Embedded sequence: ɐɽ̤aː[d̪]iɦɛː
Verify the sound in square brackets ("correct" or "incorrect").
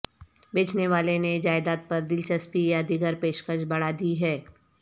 correct